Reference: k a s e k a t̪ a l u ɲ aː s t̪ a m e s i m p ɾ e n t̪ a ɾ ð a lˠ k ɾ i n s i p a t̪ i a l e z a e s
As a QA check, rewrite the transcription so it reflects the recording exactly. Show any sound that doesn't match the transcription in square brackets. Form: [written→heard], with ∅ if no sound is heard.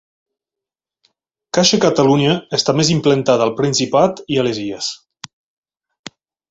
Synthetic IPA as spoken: k a [s→ʃ] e k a t̪ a l u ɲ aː s t̪ a m e [s→z] i m p [ɾ→l] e n t̪ a [ɾ→∅] ð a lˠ [k→p] ɾ i n s i p a t̪ i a l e z [a→i] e s